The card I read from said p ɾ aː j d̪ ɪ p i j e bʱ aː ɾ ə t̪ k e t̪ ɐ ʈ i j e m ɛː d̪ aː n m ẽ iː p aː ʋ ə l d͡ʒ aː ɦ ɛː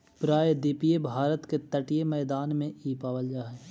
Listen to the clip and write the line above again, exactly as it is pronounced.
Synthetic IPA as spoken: p ɾ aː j d̪ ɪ p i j e bʱ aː ɾ ə t̪ k e t̪ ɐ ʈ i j e m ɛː d̪ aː n m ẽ iː p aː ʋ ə l d͡ʒ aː ɦ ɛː